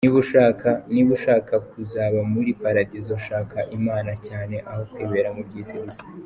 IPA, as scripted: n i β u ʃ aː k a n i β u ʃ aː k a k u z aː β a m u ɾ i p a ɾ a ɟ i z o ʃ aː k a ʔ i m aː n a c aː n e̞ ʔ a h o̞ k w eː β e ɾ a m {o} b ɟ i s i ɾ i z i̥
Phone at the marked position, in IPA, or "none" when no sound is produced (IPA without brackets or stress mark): u